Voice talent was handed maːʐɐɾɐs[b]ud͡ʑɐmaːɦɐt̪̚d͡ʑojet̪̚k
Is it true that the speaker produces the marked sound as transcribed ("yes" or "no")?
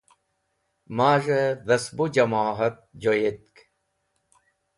yes